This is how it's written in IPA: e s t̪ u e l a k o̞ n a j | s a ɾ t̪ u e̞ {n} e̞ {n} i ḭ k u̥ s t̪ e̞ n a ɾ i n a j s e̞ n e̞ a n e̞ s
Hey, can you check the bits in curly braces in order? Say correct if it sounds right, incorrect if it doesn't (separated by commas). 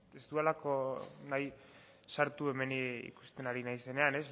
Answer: incorrect, correct